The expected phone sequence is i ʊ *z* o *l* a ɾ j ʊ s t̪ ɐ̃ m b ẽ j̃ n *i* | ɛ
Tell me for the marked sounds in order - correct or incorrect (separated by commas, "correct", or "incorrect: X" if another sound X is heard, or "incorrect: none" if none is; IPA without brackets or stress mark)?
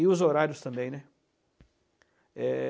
correct, incorrect: ɾ, incorrect: ɛ